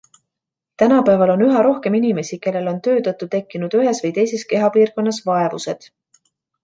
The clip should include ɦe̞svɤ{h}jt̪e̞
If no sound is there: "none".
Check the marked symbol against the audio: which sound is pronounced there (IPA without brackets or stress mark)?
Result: none